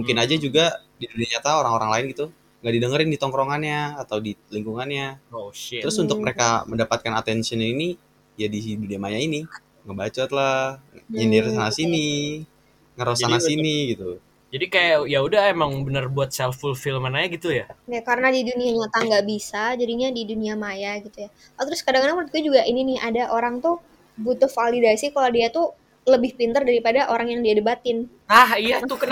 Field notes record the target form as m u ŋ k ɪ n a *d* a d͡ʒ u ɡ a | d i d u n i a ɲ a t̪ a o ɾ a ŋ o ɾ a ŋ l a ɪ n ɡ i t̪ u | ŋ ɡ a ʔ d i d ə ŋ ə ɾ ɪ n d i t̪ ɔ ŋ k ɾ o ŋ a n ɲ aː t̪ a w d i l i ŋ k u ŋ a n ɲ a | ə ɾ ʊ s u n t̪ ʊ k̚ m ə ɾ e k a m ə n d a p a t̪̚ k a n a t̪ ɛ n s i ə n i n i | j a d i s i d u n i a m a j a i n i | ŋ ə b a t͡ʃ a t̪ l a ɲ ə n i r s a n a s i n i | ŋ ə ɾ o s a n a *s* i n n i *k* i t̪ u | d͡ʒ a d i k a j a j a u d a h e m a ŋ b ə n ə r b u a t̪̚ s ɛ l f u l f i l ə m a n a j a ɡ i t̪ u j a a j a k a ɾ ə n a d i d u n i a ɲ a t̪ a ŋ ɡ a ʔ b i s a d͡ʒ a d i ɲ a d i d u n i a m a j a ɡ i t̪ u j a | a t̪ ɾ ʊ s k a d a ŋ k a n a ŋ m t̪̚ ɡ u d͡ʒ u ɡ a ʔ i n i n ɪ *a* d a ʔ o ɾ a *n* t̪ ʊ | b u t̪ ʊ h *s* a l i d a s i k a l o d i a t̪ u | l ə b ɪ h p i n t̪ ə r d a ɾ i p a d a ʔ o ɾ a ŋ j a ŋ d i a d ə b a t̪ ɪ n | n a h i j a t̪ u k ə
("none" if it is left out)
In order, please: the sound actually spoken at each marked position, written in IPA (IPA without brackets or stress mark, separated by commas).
d͡ʒ, s, ɡ, a, ŋ, f